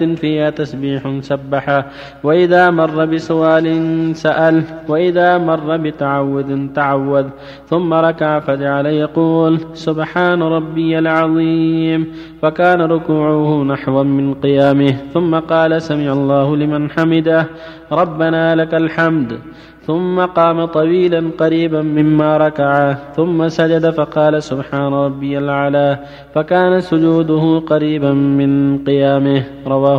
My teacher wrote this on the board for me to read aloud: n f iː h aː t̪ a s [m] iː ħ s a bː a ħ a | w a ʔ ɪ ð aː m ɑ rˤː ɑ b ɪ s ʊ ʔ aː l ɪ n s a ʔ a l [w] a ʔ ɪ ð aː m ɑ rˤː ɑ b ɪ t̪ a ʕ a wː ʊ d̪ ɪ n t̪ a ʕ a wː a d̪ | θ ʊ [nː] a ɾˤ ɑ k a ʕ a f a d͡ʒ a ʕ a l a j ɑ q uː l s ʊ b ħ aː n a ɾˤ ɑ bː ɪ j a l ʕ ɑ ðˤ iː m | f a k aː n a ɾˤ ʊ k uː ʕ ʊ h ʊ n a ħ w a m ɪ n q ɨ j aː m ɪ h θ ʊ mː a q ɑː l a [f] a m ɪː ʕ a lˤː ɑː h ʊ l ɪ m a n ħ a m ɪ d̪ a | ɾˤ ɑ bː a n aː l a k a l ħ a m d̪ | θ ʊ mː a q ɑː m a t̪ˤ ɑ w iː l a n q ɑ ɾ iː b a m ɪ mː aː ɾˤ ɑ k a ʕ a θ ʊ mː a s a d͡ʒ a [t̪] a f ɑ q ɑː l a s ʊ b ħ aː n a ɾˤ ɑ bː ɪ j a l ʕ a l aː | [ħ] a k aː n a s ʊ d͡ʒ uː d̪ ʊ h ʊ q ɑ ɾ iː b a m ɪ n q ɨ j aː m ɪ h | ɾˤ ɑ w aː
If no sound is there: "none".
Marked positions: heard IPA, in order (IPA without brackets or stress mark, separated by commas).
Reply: b, w, mː, s, d̪, f